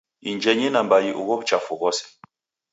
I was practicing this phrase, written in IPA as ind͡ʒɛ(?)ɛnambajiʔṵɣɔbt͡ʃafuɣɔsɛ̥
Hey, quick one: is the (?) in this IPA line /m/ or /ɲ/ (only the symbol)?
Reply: ɲ